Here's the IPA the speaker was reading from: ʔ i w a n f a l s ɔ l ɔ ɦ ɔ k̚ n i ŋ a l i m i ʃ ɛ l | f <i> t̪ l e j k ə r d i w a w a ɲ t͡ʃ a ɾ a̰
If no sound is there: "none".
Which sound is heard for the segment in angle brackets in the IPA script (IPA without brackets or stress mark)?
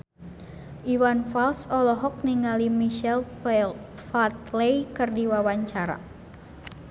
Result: a